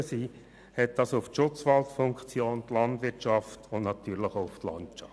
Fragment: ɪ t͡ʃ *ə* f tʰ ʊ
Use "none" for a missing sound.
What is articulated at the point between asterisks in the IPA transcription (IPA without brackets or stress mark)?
ɑ